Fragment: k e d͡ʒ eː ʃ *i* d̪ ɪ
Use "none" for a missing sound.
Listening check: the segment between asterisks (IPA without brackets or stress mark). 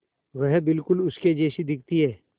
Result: i